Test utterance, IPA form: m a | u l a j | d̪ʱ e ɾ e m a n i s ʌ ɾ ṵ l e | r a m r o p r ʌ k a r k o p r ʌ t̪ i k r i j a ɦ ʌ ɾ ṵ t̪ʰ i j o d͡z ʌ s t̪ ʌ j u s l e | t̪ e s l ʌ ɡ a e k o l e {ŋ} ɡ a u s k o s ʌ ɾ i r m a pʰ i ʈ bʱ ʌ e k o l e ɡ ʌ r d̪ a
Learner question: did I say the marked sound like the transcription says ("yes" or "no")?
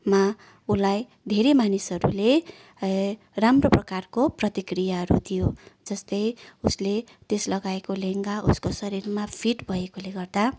yes